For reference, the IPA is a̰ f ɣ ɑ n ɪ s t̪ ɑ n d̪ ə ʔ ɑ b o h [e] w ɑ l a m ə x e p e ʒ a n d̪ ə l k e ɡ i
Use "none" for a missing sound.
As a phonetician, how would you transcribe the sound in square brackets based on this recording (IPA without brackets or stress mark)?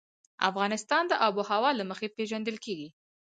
a